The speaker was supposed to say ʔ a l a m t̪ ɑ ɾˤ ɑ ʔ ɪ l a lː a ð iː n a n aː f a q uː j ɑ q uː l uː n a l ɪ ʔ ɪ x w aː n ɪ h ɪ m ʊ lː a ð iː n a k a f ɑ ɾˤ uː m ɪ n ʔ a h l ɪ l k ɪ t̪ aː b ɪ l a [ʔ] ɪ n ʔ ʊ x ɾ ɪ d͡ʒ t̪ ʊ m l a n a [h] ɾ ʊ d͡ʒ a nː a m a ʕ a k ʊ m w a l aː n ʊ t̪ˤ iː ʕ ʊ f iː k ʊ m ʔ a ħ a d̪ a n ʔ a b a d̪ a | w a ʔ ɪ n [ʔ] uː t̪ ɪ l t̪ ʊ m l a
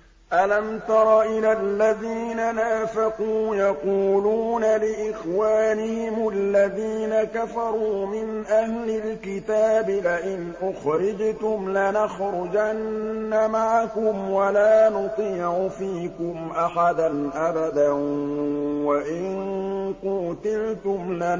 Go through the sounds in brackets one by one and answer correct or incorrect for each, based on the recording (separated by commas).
correct, incorrect, incorrect